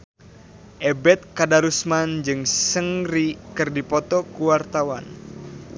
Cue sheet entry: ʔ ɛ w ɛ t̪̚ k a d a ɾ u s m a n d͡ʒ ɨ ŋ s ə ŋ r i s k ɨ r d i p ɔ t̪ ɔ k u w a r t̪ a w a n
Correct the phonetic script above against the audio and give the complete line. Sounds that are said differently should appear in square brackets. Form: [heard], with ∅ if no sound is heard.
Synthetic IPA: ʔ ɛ [b] ɛ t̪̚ k a d a ɾ u s m a n d͡ʒ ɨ ŋ s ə ŋ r i [∅] k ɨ r d i p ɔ t̪ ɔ k u w a r t̪ a w a n